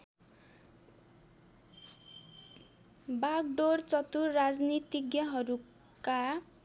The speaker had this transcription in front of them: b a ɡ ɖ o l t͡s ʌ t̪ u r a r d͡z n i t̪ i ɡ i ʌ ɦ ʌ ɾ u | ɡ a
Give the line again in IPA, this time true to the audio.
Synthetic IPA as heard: b a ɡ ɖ o r t͡s ʌ t̪ u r a d͡z n i t̪ i ɡ j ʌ ɦ ʌ ɾ u | k a

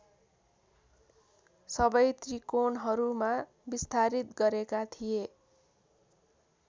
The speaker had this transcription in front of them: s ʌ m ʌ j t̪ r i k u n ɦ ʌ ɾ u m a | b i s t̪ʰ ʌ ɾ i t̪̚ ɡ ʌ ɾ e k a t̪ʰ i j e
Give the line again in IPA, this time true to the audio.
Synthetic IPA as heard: s ʌ b ʌ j t̪ r i k o n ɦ ʌ ɾ u m a | b i s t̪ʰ a ɾ i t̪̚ ɡ ʌ ɾ e k a t̪ʰ i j e

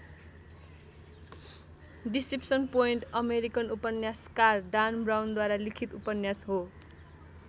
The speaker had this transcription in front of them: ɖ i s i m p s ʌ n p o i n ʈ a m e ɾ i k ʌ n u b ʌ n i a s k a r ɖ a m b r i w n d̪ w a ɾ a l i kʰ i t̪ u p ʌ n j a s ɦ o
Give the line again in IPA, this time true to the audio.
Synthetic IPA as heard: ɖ i s i p s ʌ n p o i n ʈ ʌ m e ɾ i k ʌ n u p ʌ n j a s k a r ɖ a n b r a w n d̪ w a ɾ a l i kʰ i t̪ u p ʌ n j a s ɦ o

